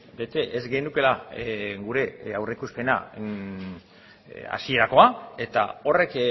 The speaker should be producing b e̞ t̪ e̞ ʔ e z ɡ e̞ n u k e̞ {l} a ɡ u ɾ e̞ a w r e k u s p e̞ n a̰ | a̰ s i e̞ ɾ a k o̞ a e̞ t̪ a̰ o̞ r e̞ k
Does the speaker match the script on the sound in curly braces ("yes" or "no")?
yes